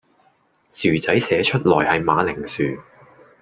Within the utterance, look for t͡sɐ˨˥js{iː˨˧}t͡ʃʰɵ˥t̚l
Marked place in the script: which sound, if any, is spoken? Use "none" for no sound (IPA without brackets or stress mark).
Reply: ɛː˨˧